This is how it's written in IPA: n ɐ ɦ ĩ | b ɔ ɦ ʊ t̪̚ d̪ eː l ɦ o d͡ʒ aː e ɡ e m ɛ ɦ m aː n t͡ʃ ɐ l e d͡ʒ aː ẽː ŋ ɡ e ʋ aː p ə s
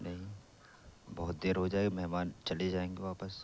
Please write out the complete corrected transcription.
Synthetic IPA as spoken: n ɐ ɦ ĩ | b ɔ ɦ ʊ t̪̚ d̪ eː ɾ ɦ o d͡ʒ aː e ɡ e m ɛ ɦ m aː n t͡ʃ ɐ l e d͡ʒ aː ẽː ŋ ɡ e ʋ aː p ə s